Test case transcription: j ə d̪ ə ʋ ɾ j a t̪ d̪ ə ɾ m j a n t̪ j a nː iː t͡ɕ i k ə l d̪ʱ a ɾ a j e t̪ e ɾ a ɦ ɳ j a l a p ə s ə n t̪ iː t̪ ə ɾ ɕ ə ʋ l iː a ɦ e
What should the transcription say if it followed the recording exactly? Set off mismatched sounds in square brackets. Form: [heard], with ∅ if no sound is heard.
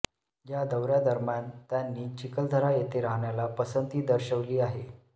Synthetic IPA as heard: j [a] d̪ ə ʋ ɾ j a [∅] d̪ ə ɾ m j a n t̪ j a nː iː t͡ɕ i k ə l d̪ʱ [ə] ɾ a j e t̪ e ɾ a ɦ ɳ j a l a p ə s ə n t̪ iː [d̪] ə ɾ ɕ ə ʋ l iː a ɦ e